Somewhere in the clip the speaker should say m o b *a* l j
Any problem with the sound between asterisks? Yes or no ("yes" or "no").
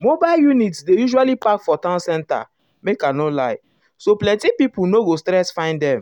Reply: no